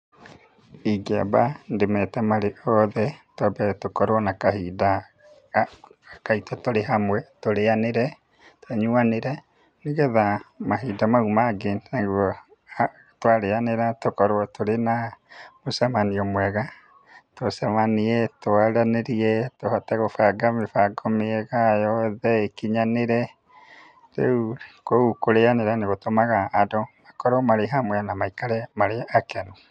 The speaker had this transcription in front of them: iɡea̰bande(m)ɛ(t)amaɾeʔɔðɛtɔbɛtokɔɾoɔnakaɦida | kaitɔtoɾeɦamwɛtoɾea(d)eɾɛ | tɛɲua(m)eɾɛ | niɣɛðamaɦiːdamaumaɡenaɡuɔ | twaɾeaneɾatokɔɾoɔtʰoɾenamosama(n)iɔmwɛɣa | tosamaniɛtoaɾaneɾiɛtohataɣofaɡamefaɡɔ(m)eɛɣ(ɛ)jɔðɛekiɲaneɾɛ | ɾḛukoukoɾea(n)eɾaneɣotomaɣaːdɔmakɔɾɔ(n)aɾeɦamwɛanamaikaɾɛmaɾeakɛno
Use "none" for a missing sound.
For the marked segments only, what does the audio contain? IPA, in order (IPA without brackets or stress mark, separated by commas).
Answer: m, t, n, n, n, m, a, n, m